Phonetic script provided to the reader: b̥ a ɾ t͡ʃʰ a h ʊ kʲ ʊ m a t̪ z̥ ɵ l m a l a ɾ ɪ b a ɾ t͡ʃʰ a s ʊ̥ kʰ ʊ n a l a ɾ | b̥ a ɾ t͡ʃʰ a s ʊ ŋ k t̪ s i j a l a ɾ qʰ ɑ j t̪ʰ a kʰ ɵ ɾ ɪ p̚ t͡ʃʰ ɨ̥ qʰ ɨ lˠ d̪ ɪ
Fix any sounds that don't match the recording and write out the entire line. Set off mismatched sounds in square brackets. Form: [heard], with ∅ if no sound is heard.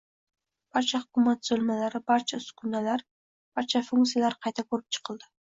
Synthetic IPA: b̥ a ɾ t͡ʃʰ a h ʊ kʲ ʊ m a t̪ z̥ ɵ l m a l a ɾ ɪ b a ɾ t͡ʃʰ a s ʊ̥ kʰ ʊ n a l a ɾ | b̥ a ɾ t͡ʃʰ a [f] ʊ ŋ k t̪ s i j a l a ɾ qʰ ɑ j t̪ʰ a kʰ ɵ ɾ ɪ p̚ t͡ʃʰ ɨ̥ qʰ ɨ lˠ d̪ ɪ

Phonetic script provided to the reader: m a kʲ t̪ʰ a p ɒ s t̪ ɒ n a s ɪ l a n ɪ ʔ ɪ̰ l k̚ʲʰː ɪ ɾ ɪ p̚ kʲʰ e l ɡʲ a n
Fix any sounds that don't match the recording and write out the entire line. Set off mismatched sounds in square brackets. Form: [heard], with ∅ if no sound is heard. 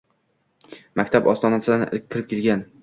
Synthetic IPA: m a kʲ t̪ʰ a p ɒ s t̪ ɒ n a s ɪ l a n ɪ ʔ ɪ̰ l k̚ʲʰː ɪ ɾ ɪ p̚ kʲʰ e l ɡʲ a n

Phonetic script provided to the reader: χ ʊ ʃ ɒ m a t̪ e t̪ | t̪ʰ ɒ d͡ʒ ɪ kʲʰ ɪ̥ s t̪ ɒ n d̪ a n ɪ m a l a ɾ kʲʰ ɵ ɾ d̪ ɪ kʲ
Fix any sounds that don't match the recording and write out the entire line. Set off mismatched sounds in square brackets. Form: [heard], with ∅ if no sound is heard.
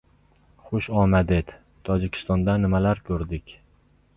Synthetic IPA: χ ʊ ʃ ɒ m a [d̪] e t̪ | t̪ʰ ɒ d͡ʒ ɪ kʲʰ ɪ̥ s t̪ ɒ n d̪ a n ɪ m a l a ɾ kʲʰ ɵ ɾ d̪ ɪ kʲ

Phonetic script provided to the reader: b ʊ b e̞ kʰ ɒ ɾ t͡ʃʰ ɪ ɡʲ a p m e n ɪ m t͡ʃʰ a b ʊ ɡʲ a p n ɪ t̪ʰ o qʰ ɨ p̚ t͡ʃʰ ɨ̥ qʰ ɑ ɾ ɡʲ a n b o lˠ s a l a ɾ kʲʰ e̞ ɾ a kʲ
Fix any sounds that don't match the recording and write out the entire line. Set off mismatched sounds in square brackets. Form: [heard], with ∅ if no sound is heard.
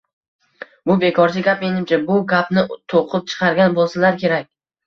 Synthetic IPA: b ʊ b e̞ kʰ ɒ ɾ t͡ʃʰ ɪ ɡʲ a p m e n ɪ m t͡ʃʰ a b ʊ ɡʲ a p n ɪ t̪ʰ o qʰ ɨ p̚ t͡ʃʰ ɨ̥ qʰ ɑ ɾ ɡʲ a n b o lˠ s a l a ɾ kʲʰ e̞ ɾ a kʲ

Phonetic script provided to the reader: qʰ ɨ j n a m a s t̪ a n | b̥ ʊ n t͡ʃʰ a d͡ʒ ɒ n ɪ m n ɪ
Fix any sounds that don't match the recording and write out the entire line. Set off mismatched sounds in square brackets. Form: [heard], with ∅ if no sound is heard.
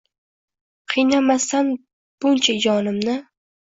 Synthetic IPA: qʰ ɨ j n a m a s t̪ a n | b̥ ʊ n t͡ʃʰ a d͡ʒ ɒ n ɪ m n ɪ

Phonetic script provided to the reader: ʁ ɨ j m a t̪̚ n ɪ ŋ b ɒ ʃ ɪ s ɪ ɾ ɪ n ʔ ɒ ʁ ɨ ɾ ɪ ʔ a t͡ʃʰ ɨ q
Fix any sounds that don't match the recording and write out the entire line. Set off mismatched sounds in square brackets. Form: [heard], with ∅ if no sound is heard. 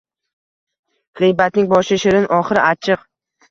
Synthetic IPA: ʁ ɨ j [b] a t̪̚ n ɪ ŋ b ɒ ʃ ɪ [ʃ] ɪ ɾ ɪ n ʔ ɒ [χ] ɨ ɾ ɪ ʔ a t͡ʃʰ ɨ q

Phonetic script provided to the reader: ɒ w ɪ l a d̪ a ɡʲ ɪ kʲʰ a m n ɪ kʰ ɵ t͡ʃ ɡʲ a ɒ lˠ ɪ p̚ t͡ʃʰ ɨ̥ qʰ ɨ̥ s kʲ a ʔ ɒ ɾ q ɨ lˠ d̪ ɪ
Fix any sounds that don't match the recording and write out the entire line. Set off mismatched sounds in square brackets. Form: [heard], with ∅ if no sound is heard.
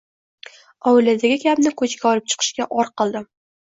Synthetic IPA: ɒ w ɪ l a d̪ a ɡʲ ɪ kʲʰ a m n ɪ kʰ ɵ t͡ʃ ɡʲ a ɒ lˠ ɪ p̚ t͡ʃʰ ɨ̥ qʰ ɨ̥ [ʃ] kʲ a ʔ ɒ ɾ q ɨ lˠ d̪ ɪ

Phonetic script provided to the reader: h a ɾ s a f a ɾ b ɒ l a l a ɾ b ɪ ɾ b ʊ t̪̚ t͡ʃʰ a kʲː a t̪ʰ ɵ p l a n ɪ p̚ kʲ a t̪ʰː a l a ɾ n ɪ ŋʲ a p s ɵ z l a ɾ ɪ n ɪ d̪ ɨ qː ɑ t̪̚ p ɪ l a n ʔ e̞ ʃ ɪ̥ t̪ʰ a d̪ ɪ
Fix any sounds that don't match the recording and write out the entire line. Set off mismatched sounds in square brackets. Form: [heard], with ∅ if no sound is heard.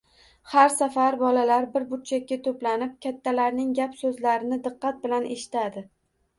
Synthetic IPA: h a ɾ s a f a ɾ b ɒ l a l a ɾ b ɪ ɾ b ʊ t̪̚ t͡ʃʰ a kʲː a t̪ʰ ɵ p l a n ɪ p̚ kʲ a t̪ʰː a l a ɾ n ɪ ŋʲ a p s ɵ z l a ɾ ɪ n ɪ d̪ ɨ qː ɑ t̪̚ [b] ɪ l a n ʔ e̞ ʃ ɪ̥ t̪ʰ a d̪ ɪ

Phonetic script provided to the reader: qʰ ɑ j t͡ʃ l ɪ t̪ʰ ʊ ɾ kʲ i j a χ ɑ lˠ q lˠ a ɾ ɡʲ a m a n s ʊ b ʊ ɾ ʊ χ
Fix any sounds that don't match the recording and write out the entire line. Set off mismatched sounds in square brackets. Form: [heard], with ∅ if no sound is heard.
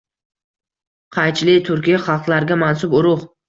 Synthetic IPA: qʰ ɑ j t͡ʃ l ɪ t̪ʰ ʊ ɾ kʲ i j a χ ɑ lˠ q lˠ a ɾ ɡʲ a m a n s ʊ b ʊ ɾ ʊ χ

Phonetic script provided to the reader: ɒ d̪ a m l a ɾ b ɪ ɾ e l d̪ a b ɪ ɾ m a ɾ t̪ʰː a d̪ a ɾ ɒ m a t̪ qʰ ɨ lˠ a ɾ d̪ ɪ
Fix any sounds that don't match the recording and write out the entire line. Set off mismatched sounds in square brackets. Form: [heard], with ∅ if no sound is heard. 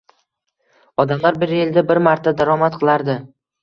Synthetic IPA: ɒ d̪ a m l a ɾ b ɪ ɾ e l d̪ a b ɪ ɾ m a ɾ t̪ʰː a d̪ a ɾ ɒ m a t̪ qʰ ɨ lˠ a ɾ d̪ ɪ

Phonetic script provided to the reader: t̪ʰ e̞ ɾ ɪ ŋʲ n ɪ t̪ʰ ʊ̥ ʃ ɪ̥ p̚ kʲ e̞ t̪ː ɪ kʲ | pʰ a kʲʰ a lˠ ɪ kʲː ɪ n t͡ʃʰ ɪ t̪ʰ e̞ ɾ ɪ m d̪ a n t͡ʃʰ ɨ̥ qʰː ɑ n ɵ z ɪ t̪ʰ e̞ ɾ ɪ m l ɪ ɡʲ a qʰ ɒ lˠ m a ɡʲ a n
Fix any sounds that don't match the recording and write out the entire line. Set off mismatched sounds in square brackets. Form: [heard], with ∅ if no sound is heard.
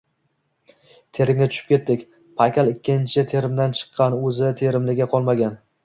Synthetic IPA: t̪ʰ e̞ ɾ ɪ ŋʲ n ɪ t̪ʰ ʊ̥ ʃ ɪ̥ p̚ kʲ e̞ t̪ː ɪ kʲ | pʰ a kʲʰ a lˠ ɪ kʲː ɪ n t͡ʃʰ ɪ t̪ʰ e̞ ɾ ɪ m d̪ a n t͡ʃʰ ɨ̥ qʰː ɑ n ɵ z ɪ t̪ʰ e̞ ɾ ɪ m l ɪ ɡʲ a qʰ ɒ lˠ m a ɡʲ a n

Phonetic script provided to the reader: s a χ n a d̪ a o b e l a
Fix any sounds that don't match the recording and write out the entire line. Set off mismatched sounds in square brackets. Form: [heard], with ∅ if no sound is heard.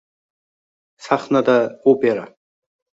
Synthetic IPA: s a χ n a d̪ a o [p] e [ɾ] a

